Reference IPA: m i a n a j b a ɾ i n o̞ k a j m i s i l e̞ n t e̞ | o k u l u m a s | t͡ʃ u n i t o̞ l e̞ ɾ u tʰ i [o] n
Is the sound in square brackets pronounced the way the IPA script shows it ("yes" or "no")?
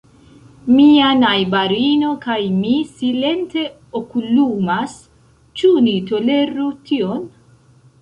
yes